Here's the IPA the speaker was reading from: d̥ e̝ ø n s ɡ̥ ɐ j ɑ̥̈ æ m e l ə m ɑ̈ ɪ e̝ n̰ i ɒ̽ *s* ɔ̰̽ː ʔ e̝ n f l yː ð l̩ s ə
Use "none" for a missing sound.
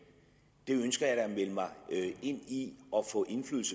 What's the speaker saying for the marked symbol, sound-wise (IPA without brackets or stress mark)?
f